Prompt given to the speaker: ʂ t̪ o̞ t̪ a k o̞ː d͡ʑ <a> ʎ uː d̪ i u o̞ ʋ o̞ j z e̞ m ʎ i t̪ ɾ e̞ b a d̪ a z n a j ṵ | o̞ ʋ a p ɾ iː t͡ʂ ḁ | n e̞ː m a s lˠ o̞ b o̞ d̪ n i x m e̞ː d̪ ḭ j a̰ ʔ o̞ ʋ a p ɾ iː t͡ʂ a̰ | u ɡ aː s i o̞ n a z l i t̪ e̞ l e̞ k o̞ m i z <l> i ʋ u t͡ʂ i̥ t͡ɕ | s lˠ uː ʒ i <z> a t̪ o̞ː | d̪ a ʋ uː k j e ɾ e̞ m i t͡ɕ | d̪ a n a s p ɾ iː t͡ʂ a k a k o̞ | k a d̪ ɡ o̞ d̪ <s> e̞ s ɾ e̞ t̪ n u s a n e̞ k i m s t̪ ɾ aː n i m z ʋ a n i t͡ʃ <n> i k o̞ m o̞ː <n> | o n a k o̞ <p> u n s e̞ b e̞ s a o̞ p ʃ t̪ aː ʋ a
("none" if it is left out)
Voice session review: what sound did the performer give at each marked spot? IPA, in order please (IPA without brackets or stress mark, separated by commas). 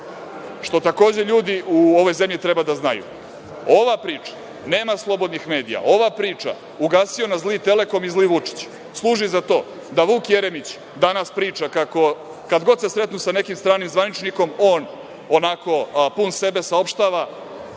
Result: e, l, z, s, n, n, p